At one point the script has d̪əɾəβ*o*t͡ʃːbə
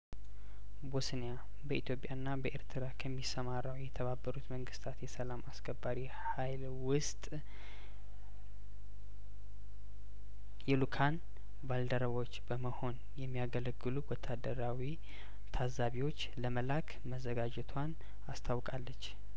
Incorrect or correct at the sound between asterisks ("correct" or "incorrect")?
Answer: correct